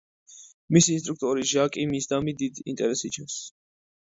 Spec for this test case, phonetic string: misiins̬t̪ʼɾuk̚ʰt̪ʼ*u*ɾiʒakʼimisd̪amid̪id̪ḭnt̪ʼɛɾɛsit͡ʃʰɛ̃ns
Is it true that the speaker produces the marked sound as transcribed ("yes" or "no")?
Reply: no